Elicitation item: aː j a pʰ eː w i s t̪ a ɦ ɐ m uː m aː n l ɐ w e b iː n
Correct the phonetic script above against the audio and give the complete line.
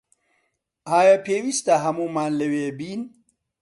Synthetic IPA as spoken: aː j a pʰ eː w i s t̪ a ɦ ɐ m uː m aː n l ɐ w e b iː n